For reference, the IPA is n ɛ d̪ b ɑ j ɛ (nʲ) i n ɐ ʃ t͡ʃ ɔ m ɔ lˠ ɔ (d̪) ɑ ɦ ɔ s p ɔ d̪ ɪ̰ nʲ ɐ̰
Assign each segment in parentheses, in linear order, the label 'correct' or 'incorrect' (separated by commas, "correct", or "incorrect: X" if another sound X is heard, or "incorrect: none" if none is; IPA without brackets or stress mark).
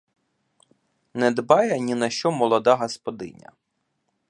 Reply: correct, correct